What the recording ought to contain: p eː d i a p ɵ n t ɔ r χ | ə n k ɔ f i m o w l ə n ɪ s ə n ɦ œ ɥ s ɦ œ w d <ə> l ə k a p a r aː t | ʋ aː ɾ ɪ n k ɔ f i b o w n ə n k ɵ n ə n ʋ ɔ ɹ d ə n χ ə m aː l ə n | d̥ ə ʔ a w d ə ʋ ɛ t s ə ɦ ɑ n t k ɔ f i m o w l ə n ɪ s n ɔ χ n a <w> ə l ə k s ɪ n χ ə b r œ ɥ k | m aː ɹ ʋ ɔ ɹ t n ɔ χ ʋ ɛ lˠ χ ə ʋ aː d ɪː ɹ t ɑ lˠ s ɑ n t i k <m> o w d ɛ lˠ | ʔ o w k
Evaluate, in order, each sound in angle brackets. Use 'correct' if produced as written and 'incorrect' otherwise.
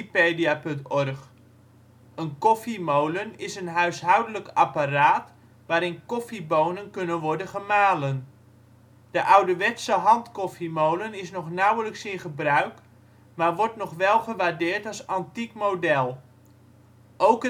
correct, correct, correct

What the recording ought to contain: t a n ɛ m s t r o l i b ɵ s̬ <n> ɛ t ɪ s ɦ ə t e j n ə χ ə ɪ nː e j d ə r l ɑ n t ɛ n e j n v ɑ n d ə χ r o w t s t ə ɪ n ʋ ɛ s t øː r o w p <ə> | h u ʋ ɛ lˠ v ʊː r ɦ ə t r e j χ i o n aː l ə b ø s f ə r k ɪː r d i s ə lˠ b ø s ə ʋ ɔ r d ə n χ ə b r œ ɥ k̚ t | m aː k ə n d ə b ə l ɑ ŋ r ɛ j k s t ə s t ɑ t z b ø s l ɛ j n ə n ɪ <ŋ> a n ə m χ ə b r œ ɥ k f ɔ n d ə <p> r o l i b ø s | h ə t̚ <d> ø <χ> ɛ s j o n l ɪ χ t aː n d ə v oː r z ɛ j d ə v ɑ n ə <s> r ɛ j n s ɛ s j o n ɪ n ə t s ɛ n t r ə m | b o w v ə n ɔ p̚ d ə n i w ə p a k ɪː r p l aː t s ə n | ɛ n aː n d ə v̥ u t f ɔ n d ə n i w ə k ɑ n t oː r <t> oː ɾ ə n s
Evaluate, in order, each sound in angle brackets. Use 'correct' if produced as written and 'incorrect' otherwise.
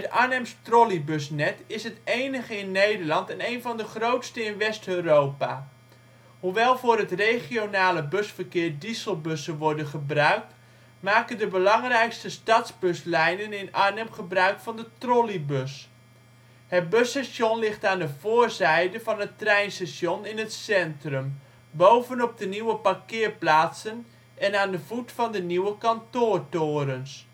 correct, incorrect, incorrect, incorrect, incorrect, incorrect, incorrect, correct

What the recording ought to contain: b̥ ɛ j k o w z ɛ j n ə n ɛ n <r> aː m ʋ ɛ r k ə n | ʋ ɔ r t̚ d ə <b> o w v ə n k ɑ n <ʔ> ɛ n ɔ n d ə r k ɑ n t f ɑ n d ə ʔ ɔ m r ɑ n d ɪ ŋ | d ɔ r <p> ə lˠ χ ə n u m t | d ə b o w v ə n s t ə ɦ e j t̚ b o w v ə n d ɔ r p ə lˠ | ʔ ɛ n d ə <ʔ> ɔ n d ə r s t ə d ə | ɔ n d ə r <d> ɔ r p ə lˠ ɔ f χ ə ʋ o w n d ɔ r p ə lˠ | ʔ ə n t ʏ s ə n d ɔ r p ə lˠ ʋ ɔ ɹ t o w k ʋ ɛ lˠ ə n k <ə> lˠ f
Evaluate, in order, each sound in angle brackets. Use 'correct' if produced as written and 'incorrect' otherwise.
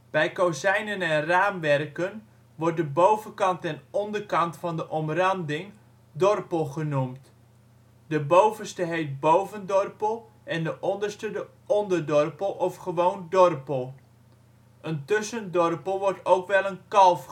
correct, correct, incorrect, correct, correct, correct, incorrect

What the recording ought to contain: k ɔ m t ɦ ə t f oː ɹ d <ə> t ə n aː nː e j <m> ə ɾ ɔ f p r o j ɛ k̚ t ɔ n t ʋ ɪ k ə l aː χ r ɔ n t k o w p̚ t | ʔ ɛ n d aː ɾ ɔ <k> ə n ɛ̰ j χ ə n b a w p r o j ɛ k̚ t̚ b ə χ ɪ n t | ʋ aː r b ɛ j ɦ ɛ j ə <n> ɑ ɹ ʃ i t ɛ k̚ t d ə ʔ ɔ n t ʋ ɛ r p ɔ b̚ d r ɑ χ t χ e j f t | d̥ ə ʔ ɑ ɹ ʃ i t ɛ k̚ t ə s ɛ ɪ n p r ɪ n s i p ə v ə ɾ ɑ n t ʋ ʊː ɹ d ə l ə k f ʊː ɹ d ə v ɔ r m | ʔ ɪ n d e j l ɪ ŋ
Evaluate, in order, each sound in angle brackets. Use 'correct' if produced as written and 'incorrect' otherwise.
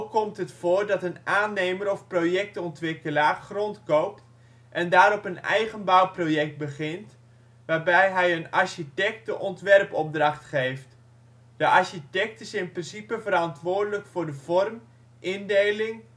incorrect, correct, incorrect, correct

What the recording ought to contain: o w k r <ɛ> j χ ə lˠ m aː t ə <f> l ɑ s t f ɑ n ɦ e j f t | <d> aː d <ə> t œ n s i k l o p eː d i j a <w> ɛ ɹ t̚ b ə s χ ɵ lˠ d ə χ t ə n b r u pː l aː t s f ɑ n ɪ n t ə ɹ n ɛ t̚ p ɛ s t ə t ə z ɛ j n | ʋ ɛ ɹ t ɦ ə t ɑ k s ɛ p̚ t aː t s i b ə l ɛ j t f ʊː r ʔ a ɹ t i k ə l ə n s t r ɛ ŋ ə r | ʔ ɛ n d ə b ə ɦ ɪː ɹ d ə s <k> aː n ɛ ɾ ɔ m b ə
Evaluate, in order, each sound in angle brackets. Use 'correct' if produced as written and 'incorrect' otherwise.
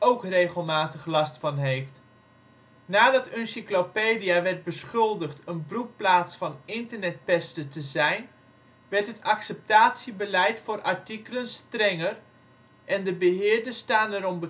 incorrect, incorrect, incorrect, incorrect, incorrect, incorrect

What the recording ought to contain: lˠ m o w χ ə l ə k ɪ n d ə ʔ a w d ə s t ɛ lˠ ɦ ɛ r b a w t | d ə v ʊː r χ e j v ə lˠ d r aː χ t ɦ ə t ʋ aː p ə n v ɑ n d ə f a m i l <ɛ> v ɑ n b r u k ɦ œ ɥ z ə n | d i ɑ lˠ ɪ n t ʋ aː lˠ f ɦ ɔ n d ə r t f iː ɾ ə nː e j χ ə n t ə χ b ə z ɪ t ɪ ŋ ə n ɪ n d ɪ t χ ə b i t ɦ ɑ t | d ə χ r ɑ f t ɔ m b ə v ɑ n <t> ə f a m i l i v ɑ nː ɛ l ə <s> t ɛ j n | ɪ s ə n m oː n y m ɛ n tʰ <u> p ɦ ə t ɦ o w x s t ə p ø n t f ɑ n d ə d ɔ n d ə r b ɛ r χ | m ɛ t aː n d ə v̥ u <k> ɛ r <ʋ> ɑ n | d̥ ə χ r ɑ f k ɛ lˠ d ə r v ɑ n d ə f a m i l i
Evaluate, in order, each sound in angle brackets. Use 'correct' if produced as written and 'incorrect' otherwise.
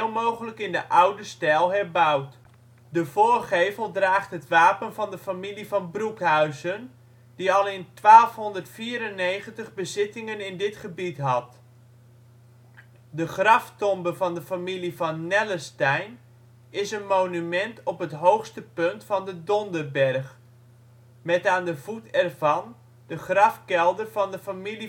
incorrect, incorrect, correct, incorrect, incorrect, incorrect

